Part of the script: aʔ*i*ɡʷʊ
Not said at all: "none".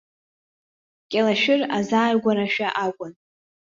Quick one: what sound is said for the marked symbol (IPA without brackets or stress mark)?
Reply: a